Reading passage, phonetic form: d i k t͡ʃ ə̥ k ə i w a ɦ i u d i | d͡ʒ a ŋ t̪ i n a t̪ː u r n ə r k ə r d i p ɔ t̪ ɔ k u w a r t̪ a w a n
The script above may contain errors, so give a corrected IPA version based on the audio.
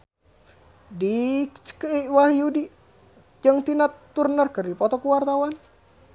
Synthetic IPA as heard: d i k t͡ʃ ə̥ k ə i w a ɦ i u d i | d͡ʒ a ŋ t̪ i n a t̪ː u r n ə r k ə r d i p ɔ t̪ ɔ k u w a r t̪ a w a n